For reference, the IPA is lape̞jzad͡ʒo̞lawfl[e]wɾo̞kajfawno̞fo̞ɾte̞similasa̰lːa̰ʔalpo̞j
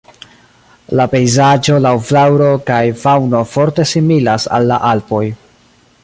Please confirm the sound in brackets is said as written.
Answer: no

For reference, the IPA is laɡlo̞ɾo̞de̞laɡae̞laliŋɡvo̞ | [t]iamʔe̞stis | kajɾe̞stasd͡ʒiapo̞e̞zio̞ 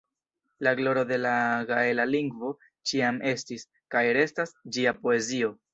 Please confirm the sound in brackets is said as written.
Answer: no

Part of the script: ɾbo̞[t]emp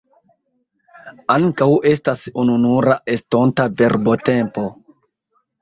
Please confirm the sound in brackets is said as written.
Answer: yes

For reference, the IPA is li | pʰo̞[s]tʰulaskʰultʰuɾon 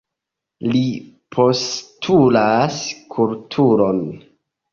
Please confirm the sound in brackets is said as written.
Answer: yes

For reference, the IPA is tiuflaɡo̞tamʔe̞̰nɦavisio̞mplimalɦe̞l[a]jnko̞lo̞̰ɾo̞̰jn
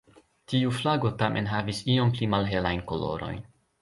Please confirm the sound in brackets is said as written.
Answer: yes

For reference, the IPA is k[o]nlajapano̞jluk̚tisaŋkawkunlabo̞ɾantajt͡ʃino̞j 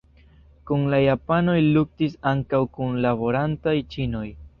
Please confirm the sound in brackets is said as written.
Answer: no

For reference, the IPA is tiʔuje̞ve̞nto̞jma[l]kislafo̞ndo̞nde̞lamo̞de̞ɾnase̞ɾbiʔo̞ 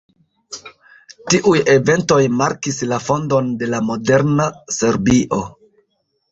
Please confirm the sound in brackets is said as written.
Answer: no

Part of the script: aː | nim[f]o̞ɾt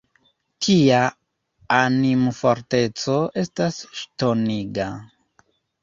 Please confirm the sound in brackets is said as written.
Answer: yes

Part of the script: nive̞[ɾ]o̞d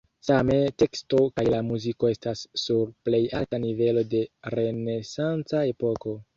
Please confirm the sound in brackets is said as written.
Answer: no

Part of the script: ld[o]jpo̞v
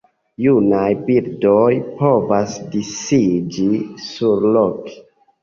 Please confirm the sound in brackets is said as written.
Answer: yes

